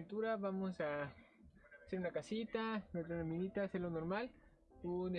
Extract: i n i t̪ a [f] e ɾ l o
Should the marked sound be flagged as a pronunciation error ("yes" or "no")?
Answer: yes